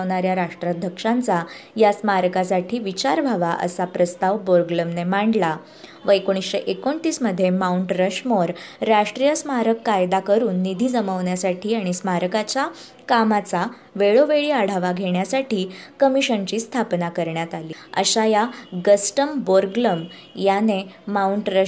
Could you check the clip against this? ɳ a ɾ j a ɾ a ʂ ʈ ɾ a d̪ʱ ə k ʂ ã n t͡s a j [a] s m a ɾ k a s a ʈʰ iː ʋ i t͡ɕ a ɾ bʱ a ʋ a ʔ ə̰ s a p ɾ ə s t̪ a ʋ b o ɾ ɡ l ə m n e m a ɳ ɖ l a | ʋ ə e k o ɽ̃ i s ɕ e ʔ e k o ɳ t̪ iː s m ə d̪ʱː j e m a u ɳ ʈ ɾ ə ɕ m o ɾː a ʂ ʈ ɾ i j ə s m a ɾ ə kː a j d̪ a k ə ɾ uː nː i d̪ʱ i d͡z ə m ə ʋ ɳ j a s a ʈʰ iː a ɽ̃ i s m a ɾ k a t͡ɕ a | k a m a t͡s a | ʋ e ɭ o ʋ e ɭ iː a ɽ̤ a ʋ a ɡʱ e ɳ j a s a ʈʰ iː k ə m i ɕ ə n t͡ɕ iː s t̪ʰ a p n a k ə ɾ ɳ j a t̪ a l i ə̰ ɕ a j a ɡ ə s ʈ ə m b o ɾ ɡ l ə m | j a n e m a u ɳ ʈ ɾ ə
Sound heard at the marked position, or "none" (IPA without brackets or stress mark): a